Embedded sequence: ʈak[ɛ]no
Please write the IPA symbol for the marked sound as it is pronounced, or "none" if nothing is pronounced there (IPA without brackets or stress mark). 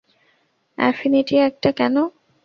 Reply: ɛ